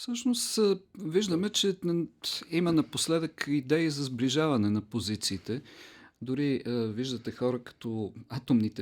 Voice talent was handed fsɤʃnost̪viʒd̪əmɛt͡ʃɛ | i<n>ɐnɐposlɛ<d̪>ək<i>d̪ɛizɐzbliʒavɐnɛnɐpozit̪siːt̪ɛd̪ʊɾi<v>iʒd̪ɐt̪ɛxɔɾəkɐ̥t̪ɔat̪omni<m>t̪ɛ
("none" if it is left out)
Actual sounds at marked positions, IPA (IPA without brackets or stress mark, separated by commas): m, d̪, i, v, none